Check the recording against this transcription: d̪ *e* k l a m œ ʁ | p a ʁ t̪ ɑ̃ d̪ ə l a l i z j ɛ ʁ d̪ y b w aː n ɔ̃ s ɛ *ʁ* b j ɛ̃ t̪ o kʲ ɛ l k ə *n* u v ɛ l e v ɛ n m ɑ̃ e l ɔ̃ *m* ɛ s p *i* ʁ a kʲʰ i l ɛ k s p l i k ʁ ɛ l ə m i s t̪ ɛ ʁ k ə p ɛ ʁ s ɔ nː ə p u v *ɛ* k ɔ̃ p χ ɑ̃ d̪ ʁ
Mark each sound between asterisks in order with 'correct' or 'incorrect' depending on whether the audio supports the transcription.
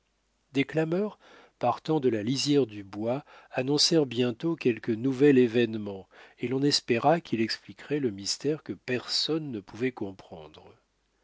correct, correct, correct, incorrect: n, incorrect: e, correct

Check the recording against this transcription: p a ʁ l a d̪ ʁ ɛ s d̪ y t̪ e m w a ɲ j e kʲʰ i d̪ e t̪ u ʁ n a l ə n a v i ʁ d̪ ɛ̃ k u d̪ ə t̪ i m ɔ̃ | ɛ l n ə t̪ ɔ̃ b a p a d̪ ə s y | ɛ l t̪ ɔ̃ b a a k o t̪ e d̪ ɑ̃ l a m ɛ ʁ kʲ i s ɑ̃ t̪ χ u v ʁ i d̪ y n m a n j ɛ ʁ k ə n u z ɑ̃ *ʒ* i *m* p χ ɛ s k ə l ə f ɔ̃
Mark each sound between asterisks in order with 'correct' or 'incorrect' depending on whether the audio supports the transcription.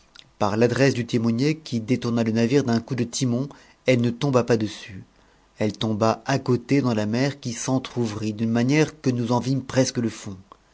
incorrect: v, correct

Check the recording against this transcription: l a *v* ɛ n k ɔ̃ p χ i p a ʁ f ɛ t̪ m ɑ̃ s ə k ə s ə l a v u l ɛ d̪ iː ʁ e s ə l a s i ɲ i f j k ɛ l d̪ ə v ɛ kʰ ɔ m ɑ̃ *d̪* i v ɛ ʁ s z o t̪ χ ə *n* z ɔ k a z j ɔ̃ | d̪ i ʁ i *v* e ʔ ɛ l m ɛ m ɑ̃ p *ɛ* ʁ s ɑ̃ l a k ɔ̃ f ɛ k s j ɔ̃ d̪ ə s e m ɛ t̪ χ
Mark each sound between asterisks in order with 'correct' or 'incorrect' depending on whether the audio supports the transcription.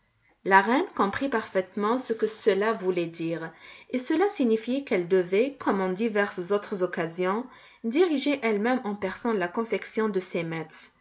incorrect: ʁ, correct, incorrect: none, incorrect: ʒ, correct

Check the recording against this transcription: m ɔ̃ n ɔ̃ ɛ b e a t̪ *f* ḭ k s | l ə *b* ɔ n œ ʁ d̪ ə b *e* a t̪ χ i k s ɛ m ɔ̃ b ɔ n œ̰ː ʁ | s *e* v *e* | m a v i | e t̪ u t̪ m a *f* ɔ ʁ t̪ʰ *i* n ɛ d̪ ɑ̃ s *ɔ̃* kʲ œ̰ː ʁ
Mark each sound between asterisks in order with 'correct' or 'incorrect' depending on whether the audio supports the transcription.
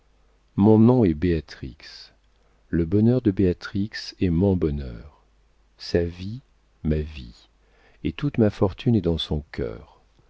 incorrect: χ, correct, correct, incorrect: a, incorrect: i, correct, incorrect: y, correct

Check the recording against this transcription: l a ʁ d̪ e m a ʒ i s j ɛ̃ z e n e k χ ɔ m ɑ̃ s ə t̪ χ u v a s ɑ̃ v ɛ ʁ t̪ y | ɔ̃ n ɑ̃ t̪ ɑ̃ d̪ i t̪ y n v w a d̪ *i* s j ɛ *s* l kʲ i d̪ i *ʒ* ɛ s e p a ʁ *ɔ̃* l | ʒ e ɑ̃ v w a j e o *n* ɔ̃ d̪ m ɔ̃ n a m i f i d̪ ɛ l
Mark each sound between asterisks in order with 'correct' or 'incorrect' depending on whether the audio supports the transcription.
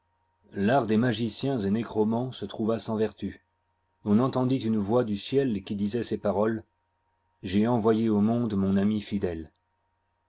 incorrect: y, incorrect: none, incorrect: z, incorrect: ɔ, incorrect: m

